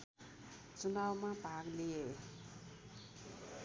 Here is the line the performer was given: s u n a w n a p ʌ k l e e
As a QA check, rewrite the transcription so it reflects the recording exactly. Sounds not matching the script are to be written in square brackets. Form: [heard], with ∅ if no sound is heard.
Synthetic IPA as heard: [t͡s] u n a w [m] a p [a] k l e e